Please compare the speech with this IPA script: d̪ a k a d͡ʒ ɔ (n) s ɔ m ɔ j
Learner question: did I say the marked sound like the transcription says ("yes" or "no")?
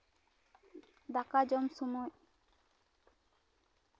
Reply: no